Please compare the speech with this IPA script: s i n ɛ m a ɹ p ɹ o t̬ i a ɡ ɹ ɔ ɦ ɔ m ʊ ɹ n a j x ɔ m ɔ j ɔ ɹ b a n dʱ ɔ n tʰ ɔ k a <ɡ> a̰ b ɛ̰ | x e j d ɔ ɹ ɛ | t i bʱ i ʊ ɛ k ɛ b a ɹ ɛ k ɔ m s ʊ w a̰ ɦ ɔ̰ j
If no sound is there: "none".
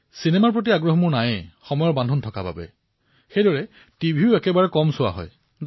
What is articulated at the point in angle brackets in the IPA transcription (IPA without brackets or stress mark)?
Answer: b